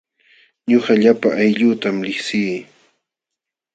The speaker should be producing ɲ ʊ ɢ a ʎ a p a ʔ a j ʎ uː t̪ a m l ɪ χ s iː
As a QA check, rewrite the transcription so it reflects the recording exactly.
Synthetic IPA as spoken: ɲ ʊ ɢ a ʎ a p a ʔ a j ʎ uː t̪ a m l ɪ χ s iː